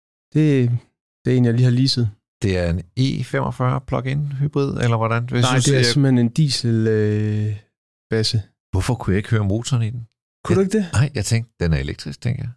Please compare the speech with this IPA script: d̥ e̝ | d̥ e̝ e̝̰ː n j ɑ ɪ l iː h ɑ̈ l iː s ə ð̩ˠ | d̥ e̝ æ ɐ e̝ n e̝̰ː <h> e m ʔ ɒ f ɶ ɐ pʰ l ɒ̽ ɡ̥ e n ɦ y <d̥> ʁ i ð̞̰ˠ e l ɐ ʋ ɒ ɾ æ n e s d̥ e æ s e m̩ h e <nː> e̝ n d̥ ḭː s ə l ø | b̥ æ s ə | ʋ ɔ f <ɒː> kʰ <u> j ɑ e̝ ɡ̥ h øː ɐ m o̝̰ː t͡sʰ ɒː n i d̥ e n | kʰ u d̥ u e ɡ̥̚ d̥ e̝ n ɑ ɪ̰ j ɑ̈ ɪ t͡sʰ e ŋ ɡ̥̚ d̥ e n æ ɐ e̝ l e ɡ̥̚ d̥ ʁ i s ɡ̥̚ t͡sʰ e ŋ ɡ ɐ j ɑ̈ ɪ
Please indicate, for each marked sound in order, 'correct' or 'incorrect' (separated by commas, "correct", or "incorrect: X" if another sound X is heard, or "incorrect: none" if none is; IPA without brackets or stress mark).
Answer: incorrect: f, incorrect: b̥, incorrect: n, incorrect: ɒ, correct